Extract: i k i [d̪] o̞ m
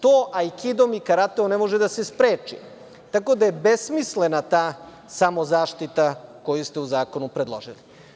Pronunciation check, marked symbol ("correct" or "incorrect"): correct